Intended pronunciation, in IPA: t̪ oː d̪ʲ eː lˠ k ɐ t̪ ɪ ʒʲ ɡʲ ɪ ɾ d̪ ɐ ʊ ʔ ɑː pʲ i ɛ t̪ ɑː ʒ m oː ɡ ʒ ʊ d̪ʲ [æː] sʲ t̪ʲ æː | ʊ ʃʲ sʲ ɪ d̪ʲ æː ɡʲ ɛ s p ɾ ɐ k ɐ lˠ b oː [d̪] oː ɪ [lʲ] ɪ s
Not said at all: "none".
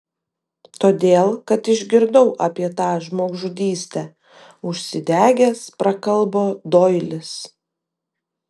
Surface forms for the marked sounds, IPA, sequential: iː, d̪, lʲ

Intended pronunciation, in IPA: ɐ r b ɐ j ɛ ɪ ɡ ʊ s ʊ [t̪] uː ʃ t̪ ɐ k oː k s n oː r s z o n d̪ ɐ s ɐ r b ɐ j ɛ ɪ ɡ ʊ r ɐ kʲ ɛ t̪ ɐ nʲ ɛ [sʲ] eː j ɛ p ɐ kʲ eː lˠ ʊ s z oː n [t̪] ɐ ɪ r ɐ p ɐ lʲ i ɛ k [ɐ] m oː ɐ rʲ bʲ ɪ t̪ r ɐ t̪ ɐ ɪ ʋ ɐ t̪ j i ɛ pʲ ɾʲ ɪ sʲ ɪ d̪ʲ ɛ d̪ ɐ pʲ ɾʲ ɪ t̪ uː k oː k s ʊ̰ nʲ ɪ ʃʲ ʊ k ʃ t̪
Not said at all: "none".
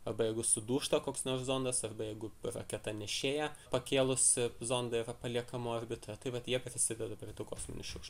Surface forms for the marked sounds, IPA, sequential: d̪, ʃʲ, d̪, ɐ

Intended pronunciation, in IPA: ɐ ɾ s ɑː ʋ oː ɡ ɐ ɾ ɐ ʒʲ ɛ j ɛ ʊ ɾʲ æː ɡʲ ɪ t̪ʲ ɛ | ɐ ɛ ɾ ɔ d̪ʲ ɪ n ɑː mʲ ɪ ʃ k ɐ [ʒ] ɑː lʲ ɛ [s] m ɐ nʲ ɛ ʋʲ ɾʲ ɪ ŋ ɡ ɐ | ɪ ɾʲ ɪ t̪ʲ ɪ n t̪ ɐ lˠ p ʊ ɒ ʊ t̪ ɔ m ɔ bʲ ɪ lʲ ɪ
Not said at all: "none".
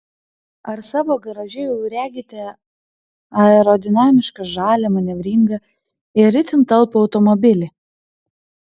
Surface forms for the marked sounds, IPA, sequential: ʒ, none

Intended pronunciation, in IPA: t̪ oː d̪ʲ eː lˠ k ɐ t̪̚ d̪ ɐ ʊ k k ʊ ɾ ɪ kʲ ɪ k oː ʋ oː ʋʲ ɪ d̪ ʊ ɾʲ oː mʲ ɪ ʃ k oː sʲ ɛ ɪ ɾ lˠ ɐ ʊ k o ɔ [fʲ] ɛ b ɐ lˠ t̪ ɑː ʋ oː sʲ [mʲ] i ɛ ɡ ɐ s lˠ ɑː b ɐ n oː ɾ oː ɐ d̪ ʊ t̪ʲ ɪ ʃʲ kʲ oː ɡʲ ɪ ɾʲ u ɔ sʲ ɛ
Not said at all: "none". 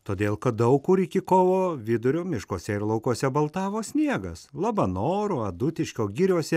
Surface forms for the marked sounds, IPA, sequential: sʲ, nʲ

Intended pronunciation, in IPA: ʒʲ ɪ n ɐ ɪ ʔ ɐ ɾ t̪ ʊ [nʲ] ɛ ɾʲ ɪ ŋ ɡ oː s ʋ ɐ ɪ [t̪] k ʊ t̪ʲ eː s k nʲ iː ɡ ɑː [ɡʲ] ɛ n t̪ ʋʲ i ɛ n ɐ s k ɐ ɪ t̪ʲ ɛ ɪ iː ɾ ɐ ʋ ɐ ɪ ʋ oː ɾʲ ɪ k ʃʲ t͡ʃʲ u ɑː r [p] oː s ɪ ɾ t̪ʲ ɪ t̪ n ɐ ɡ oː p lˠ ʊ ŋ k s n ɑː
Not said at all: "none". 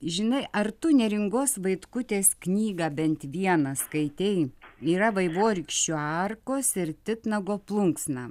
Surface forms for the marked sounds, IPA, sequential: nʲ, t̪, bʲ, k

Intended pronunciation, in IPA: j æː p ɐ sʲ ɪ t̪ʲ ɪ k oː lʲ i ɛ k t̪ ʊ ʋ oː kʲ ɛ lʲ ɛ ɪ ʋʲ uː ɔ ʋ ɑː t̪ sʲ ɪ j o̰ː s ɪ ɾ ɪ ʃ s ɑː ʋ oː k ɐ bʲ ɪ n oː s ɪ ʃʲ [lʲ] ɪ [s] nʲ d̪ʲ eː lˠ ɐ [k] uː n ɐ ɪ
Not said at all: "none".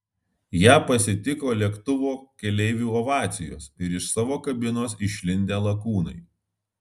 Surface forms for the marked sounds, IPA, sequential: lʲ, none, k

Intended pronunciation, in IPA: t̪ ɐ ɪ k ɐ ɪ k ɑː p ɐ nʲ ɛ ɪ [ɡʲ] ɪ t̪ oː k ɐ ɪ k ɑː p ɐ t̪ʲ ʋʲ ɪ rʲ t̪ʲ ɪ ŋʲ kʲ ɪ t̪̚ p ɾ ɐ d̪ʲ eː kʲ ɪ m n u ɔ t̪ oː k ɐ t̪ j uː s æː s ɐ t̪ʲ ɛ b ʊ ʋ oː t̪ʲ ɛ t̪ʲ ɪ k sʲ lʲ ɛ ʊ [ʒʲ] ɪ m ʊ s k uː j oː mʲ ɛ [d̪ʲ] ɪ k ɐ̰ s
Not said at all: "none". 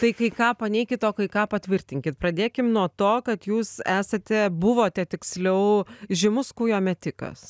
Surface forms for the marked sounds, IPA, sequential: kʲ, ʒʲ, t̪ʲ

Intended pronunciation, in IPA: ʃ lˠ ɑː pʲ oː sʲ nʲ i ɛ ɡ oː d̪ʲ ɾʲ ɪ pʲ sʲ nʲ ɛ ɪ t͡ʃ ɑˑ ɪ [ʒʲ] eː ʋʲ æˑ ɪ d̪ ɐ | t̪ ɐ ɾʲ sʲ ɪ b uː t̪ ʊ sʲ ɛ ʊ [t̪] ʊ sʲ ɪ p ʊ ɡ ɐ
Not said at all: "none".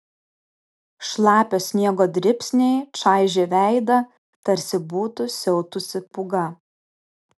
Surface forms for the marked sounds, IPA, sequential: ʒʲ, t̪

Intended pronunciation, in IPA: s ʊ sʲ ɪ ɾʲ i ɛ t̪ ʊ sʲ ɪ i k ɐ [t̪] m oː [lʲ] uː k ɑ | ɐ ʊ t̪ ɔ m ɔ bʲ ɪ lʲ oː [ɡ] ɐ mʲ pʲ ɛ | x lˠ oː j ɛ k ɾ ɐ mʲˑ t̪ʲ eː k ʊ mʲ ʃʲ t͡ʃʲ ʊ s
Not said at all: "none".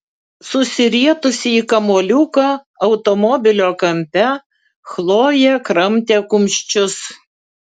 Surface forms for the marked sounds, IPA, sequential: none, lʲ, k

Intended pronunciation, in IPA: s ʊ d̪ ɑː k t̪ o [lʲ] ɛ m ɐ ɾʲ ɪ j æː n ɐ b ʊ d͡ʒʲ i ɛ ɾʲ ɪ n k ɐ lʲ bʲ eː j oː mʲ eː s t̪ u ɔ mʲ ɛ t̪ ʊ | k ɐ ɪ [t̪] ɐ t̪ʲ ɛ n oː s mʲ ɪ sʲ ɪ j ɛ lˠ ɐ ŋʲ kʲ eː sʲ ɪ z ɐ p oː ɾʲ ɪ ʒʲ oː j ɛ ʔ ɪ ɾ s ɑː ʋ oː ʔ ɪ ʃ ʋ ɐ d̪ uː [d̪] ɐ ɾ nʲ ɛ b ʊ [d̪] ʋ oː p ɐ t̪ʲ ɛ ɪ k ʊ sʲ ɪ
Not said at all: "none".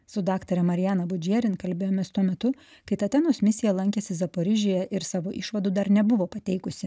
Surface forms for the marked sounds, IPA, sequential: ɾʲ, t̪, d̪, none

